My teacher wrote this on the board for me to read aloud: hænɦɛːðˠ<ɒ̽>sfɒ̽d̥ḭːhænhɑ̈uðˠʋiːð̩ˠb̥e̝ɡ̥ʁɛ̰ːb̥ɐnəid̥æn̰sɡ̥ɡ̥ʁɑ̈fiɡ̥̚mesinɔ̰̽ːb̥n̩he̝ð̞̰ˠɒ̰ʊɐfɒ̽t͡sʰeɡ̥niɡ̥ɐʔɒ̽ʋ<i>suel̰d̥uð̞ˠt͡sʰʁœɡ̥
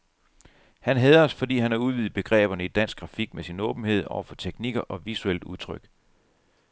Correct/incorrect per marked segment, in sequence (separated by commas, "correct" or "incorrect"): correct, correct